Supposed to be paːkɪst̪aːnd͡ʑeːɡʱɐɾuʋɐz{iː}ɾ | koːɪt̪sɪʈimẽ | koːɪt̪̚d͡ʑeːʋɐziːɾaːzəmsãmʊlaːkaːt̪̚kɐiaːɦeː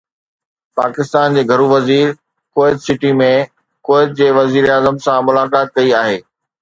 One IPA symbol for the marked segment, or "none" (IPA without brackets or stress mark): iː